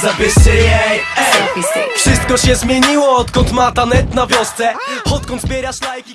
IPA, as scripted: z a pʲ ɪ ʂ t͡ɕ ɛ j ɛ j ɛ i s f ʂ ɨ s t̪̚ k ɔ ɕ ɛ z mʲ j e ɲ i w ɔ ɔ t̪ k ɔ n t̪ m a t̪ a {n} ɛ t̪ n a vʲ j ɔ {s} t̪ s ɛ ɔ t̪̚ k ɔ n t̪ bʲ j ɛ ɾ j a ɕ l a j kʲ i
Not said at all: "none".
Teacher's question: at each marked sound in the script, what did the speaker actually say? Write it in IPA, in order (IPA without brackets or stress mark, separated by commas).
n, s